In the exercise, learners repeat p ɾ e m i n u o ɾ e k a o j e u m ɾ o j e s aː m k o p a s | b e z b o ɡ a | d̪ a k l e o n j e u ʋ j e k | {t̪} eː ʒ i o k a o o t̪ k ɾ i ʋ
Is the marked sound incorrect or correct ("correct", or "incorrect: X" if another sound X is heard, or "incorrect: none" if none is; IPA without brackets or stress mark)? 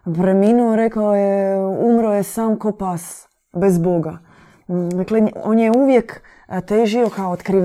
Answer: correct